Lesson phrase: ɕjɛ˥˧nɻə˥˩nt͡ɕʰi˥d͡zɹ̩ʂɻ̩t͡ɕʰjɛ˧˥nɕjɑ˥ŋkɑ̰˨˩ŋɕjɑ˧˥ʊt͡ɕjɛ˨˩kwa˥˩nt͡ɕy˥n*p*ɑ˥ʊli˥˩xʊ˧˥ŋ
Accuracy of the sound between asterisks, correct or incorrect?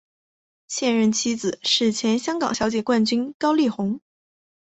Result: incorrect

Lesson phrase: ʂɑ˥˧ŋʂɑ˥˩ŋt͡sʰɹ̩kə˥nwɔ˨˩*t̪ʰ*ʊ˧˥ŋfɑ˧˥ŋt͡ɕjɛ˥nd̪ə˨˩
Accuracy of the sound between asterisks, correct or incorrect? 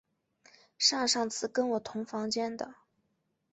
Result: correct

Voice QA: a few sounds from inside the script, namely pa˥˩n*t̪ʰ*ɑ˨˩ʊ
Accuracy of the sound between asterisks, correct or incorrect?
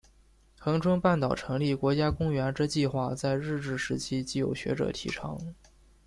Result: incorrect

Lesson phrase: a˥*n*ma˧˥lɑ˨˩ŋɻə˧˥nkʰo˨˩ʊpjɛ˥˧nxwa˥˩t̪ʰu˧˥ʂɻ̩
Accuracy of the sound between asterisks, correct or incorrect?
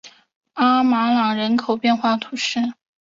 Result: incorrect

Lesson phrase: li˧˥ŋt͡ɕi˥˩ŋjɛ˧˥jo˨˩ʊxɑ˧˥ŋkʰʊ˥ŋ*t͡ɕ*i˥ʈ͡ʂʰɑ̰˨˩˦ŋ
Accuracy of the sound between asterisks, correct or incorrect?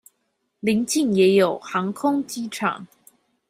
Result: correct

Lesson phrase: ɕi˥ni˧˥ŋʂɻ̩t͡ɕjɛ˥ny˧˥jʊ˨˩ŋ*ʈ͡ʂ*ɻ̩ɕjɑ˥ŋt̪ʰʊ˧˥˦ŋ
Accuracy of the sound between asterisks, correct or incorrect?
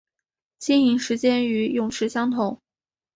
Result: incorrect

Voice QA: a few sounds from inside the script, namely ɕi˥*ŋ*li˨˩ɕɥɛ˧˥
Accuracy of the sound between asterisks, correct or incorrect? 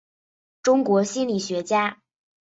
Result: incorrect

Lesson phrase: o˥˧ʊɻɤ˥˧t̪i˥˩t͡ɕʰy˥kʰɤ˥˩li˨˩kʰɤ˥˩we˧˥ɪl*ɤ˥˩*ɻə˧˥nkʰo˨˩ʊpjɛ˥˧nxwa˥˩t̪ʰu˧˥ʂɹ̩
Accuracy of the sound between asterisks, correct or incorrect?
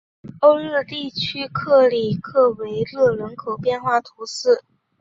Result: correct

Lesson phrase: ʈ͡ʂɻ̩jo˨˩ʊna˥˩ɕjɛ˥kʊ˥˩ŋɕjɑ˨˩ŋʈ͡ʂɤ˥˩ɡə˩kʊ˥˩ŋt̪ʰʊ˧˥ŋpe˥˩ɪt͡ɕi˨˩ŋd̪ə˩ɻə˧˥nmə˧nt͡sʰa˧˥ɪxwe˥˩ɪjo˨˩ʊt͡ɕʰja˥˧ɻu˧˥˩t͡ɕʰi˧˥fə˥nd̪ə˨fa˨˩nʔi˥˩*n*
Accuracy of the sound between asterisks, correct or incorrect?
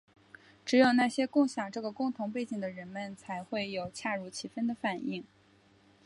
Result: incorrect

